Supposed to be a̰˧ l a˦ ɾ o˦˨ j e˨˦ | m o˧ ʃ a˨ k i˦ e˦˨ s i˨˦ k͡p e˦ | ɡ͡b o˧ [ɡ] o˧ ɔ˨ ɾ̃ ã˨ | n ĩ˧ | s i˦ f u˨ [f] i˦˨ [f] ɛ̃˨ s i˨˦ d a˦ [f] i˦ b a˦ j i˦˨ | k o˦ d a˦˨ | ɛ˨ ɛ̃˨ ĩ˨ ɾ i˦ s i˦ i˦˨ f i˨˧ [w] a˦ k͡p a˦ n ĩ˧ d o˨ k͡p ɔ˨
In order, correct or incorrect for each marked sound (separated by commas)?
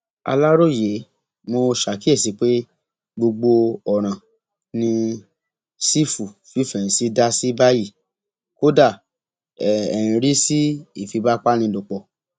incorrect, correct, correct, incorrect, incorrect